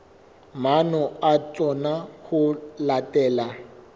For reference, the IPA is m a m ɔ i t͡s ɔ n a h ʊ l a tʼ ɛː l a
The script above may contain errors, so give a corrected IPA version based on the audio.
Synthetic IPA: m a n ɔ a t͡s ɔ n a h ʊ l a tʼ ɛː l a